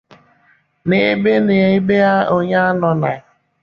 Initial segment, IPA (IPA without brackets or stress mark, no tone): n